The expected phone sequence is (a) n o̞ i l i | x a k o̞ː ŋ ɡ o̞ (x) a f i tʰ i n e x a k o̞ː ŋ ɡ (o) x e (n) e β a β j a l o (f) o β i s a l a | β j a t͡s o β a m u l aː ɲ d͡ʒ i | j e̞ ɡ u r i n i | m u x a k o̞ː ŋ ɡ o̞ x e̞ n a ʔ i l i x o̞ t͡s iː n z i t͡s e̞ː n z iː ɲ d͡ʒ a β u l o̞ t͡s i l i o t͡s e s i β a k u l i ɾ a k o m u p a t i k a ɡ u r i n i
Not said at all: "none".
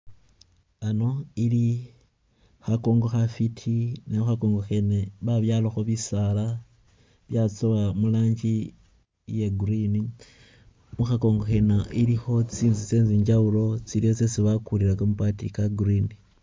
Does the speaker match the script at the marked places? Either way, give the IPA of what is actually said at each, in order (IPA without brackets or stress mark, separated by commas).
a, x, o, n, x